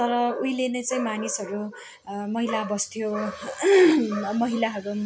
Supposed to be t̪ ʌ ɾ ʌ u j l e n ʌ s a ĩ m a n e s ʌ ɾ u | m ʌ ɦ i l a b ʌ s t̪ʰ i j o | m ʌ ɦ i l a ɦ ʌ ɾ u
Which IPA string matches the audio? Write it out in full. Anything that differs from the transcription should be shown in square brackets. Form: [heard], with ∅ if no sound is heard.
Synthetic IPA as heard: t̪ ʌ ɾ ʌ u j l e n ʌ [t͡s] a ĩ m a n [i] s ʌ ɾ u | m ʌ ɦ i l a b ʌ s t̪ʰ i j o | m ʌ ɦ i l a ɦ ʌ ɾ u